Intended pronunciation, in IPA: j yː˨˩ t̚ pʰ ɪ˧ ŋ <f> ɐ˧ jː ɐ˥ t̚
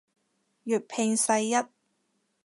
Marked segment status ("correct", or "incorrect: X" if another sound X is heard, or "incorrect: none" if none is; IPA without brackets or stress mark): incorrect: s